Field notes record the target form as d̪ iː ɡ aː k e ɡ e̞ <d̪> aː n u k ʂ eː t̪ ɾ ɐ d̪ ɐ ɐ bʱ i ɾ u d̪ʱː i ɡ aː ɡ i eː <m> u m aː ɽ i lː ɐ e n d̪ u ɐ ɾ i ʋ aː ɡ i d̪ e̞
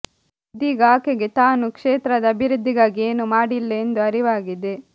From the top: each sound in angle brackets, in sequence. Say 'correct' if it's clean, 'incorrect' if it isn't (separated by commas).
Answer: incorrect, incorrect